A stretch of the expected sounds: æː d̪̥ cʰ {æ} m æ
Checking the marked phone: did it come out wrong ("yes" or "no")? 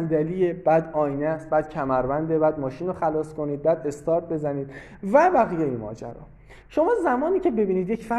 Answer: no